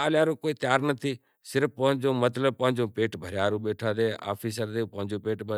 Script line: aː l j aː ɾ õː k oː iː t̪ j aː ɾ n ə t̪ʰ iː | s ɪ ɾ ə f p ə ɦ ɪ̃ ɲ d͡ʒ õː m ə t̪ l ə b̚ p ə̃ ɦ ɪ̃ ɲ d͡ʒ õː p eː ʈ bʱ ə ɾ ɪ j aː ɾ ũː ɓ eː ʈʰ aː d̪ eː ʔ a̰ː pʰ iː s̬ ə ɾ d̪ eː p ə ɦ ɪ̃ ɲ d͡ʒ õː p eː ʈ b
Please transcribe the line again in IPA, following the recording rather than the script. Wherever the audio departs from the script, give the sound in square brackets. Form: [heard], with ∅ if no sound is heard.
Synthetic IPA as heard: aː l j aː ɾ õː k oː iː t̪ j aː ɾ n ə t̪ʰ iː | s ɪ ɾ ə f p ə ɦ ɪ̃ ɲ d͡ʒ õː m ə t̪ l ə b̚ p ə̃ ɦ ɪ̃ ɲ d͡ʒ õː p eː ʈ bʱ ə ɾ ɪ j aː ɾ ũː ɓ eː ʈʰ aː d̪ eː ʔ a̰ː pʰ iː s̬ ə ɾ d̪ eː p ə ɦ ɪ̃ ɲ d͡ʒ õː p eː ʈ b